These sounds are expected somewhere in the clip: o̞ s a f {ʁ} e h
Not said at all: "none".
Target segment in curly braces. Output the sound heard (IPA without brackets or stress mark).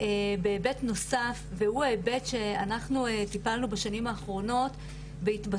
v